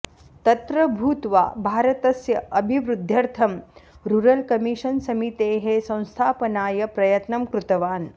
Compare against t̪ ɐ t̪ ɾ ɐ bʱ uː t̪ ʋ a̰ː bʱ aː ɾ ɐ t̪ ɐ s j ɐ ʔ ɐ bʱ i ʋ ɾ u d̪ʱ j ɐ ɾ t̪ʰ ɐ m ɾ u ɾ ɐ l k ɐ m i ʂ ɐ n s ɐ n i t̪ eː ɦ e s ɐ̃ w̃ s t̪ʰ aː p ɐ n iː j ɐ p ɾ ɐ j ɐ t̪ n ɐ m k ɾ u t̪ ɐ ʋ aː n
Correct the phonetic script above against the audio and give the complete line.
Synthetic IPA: t̪ ɐ t̪ ɾ ɐ bʱ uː t̪ ʋ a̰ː bʱ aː ɾ ɐ t̪ ɐ s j ɐ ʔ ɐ bʱ i ʋ ɾ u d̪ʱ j ɐ ɾ t̪ʰ ɐ m ɾ u ɾ ɐ l k ɐ m i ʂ ɐ n s ɐ m i t̪ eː ɦ e s ɐ̃ w̃ s t̪ʰ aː p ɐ n aː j ɐ p ɾ ɐ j ɐ t̪ n ɐ m k ɾ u t̪ ɐ ʋ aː n